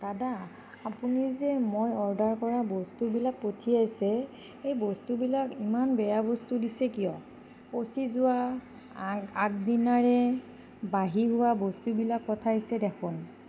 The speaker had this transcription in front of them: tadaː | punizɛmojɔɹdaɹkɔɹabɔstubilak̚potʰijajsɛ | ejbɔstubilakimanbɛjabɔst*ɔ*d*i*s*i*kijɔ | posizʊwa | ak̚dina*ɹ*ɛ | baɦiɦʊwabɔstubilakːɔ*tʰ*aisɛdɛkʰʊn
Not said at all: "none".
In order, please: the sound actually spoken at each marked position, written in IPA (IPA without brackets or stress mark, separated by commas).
u, i, ɛ, ɹ, tʰ